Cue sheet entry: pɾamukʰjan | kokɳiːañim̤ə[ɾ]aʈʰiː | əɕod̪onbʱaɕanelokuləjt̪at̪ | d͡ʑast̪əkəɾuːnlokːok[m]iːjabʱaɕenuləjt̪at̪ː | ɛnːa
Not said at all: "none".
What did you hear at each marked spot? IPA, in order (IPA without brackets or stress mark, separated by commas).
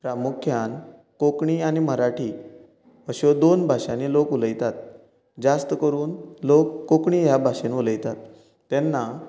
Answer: ɾ, ɳ